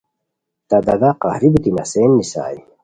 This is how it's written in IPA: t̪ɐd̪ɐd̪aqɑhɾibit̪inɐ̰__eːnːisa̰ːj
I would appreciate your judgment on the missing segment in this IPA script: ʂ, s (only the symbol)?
s